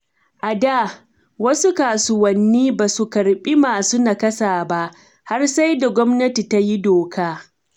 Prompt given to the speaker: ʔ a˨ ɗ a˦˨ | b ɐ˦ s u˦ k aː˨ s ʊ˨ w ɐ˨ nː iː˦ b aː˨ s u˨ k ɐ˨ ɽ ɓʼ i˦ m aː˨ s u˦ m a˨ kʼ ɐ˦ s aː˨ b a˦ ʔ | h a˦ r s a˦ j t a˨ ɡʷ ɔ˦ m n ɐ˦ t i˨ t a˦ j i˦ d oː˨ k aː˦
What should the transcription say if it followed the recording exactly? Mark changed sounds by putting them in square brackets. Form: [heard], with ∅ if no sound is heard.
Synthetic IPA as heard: ʔ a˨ [d] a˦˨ | [w] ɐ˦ s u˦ k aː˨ s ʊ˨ w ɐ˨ nː iː˦ b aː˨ s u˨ k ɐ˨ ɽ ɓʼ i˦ m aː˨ s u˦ [n] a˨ [k] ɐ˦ s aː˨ b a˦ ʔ | h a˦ r s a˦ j [d] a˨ ɡʷ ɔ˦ m n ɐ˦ t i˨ t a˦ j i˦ d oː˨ k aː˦